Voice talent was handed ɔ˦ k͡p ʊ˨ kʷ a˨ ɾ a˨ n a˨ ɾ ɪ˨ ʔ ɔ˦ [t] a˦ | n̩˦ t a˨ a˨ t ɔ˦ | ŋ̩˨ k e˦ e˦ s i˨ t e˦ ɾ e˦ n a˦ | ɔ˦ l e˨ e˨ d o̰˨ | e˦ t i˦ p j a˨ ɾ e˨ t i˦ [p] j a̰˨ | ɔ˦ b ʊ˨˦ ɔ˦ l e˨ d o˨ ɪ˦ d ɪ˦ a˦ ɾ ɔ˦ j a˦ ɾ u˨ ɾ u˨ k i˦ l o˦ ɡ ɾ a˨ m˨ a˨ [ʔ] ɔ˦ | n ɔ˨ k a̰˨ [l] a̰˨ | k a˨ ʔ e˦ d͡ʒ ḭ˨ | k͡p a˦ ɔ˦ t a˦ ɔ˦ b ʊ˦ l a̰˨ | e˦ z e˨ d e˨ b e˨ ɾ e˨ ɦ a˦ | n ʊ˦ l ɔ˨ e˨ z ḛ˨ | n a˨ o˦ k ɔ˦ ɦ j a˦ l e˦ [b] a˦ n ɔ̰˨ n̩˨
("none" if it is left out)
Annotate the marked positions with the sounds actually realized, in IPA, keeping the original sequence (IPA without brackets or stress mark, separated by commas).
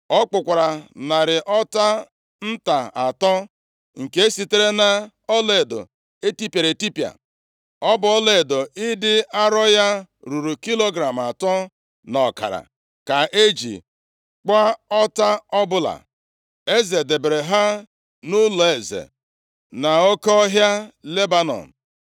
t, p, t, ɾ, b